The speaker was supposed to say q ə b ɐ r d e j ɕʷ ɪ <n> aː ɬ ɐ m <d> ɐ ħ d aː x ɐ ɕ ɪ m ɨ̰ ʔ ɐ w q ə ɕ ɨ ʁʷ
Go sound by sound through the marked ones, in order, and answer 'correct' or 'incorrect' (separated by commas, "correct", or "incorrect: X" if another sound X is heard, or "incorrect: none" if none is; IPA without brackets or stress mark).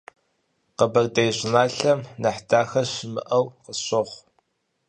correct, incorrect: n